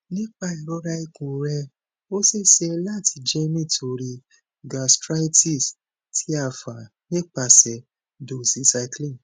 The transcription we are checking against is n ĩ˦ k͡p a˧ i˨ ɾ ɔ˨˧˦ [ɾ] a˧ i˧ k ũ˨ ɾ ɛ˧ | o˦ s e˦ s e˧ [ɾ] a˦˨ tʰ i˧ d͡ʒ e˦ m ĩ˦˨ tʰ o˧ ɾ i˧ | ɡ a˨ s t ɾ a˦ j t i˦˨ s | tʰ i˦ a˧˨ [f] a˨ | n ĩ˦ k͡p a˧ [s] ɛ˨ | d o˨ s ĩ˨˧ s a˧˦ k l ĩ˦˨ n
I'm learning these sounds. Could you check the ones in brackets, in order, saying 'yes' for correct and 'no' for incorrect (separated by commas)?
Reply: yes, no, yes, yes